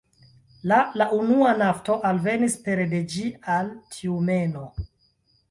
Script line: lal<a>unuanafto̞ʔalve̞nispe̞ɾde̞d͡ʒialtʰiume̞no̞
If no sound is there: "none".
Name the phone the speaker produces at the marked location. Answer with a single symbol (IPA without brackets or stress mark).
a